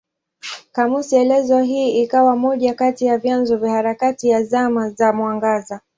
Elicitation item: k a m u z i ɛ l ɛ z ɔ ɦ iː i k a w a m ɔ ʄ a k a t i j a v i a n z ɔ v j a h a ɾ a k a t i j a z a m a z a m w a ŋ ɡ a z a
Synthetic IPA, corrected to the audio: k a m u s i ɛ l ɛ z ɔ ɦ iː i k a w a m ɔ ʄ a k a t i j a v j a n z ɔ v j a h a ɾ a k a t i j a z a m a z a m w a ŋ ɡ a z a